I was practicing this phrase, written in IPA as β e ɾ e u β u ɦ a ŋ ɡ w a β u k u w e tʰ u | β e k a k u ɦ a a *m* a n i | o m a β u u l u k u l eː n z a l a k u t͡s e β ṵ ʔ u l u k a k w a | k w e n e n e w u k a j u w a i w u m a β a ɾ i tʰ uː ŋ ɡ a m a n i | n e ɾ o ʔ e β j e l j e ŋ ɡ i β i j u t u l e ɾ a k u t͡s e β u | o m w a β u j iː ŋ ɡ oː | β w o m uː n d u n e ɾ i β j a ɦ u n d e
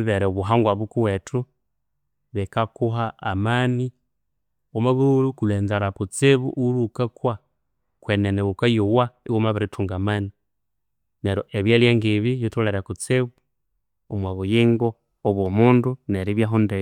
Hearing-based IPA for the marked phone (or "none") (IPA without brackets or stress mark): m